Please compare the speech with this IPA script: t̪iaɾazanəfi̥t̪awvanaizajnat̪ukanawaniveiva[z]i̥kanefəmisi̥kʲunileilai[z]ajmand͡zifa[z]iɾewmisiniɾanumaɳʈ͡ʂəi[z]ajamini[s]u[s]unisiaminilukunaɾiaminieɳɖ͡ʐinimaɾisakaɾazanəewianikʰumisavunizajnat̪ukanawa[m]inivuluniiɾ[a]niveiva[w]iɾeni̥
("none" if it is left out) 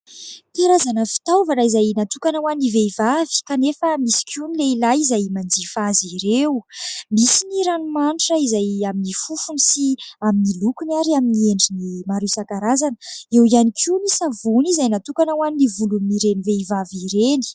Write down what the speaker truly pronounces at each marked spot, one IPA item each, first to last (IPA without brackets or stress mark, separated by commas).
v, z, z, z, f, f, n, e, v